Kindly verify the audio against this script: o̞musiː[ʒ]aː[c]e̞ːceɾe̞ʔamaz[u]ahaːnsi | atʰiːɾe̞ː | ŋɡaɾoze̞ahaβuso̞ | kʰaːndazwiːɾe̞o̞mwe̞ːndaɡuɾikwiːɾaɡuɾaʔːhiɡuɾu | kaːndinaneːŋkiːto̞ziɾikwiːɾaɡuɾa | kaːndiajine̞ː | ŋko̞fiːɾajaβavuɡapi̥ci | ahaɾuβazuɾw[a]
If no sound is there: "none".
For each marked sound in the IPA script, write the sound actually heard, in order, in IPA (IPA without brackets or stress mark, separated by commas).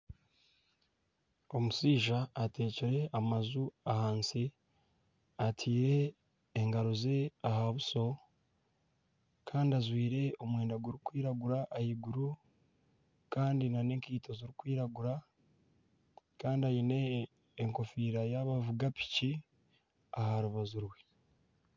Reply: ʒ, t, u, e